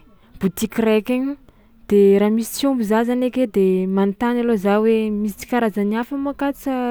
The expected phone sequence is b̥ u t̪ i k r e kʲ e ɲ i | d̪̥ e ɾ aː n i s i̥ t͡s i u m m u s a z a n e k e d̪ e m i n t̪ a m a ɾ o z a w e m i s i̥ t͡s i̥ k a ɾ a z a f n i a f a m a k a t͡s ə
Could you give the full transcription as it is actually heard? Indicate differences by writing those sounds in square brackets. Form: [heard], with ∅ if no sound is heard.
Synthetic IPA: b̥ u t̪ i k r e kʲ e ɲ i | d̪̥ e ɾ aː [m] i s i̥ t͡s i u m [b] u [z] a z a n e k e d̪ e m [a] n t̪ a [n] a [l] o z a w e m i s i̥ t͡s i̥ k a ɾ a z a [∅] n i a f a m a k a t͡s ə